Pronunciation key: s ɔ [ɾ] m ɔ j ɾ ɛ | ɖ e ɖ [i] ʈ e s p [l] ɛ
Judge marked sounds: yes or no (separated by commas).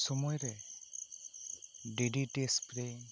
no, yes, no